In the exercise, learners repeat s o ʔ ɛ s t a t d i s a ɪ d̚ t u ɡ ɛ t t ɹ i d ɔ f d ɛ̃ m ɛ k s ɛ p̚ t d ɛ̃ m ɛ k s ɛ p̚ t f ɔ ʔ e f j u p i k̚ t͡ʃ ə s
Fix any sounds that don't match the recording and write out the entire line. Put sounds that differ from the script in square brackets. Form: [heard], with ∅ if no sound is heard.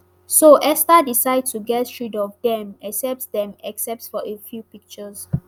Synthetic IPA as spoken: s o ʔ ɛ s t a [∅] d i s a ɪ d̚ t u ɡ ɛ t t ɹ i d ɔ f d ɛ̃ m ɛ k s ɛ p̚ t d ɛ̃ m ɛ k s ɛ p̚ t f ɔ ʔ e f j u p i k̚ t͡ʃ ə s